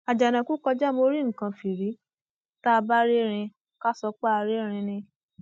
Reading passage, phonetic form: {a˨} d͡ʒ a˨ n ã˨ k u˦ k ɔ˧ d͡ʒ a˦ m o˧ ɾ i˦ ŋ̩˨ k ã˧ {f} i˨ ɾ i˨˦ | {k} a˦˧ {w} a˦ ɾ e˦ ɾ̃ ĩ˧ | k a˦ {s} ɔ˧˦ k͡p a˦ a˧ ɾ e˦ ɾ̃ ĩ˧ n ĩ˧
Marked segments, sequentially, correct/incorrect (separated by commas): correct, correct, incorrect, incorrect, correct